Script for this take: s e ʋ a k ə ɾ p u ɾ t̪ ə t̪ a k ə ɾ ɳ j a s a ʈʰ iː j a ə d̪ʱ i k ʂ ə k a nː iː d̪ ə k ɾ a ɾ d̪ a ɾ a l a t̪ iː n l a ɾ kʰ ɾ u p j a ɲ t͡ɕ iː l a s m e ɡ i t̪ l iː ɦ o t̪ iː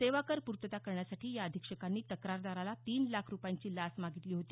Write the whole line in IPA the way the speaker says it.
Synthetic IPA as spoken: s e ʋ a k ə ɾ p u ɾ t̪ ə t̪ a k ə ɾ ɳ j a s a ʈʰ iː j a ə d̪ʱ i k ʂ ə k a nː iː t̪ ə k ɾ a ɾ d̪ a ɾ a l a t̪ iː n l a kʰ ɾ u p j a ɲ t͡ɕ iː l a s m a ɡ i t̪ l iː ɦ o t̪ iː